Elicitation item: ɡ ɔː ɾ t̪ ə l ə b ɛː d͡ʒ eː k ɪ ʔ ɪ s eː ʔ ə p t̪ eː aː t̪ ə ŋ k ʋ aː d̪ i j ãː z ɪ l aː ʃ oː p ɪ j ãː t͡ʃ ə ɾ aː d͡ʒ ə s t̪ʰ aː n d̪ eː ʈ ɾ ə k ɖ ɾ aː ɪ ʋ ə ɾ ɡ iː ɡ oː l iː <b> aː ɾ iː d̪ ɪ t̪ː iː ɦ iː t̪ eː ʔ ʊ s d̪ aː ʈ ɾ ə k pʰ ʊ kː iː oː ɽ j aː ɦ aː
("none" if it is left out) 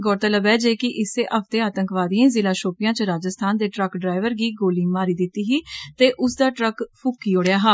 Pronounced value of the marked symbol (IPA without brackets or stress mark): m